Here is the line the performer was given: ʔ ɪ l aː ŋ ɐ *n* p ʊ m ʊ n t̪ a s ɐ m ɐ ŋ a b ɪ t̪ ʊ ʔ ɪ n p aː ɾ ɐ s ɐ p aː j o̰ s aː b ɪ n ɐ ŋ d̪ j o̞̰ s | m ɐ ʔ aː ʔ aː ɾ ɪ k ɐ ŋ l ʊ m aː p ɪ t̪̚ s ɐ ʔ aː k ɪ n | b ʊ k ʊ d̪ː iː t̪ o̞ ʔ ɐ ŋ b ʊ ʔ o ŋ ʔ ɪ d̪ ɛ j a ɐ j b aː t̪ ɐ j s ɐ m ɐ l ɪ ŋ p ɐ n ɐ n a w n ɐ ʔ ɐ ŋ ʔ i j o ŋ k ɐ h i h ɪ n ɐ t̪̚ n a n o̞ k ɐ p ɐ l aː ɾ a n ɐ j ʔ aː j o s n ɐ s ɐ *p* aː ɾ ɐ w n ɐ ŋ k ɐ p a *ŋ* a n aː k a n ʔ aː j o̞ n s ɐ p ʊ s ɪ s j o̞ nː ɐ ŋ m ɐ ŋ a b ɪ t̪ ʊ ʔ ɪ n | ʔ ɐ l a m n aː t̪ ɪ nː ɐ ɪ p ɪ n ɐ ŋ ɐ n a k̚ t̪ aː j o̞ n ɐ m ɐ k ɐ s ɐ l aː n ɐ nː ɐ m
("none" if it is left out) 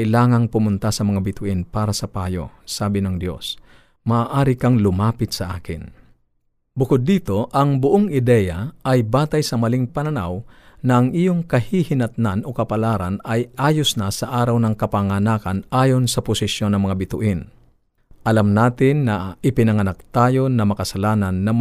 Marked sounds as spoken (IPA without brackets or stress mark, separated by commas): ŋ, ʔ, ŋ